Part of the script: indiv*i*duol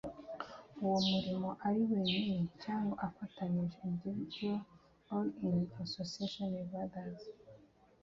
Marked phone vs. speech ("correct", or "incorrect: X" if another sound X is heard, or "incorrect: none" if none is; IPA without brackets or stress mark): correct